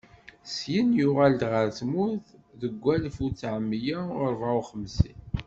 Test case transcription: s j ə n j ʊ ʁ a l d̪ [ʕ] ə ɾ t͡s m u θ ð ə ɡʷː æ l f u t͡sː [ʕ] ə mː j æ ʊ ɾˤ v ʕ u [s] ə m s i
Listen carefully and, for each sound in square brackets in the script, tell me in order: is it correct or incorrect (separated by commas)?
incorrect, correct, incorrect